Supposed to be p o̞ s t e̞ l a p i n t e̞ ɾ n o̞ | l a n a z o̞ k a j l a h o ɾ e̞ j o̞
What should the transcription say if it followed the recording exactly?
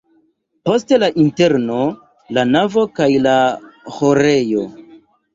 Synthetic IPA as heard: p o̞ s t e̞ l a ʔ i n t e̞ ɾ n o̞ | l a n a v o̞ k a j l a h o ɾ e̞ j o̞